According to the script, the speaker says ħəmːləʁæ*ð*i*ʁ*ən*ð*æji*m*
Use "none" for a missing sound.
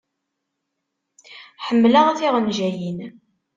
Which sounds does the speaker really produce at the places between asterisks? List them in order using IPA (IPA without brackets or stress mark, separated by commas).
θ, ʁ, ʒ, n